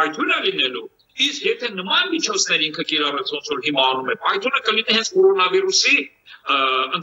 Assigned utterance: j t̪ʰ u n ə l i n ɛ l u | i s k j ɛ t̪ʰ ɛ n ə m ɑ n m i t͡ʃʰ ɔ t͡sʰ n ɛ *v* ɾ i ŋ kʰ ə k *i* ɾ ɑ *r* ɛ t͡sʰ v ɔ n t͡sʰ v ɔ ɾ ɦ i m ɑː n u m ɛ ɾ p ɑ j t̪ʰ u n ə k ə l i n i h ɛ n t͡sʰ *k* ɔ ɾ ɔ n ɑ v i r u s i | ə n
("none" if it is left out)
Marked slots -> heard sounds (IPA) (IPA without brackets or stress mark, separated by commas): none, i, r, k